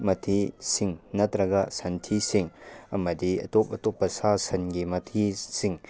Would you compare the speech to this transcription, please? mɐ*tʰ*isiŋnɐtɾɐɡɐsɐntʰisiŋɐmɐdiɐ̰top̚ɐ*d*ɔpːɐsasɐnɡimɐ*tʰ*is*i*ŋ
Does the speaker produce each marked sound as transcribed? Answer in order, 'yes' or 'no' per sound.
yes, no, yes, yes

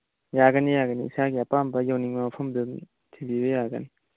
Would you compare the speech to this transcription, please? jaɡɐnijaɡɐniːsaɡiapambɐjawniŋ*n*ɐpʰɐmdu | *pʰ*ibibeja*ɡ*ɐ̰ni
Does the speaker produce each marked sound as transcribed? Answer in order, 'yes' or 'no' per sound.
no, no, yes

